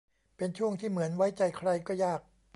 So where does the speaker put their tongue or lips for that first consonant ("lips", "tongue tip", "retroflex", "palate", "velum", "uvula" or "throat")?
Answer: lips